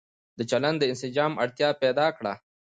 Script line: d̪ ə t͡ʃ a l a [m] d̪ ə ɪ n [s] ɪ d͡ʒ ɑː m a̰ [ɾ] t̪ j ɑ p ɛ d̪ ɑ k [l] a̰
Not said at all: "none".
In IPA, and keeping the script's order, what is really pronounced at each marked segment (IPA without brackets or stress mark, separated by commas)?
n, s, ɽ, ɽ